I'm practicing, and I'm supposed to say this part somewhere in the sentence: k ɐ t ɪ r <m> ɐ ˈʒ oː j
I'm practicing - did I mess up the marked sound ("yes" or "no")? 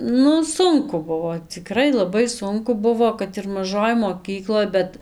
no